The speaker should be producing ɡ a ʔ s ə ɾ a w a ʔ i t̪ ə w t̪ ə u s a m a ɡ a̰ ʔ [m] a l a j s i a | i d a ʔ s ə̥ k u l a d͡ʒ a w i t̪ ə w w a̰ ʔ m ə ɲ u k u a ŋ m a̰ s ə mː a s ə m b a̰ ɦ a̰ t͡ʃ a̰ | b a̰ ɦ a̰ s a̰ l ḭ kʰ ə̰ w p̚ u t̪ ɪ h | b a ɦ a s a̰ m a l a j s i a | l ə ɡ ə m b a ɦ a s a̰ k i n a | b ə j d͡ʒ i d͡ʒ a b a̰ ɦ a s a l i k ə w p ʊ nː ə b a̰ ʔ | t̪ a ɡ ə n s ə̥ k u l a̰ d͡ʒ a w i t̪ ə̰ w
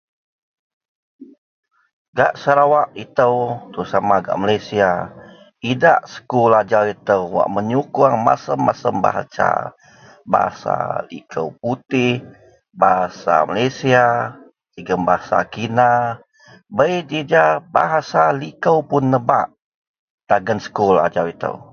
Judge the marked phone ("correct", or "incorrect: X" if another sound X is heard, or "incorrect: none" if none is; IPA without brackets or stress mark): correct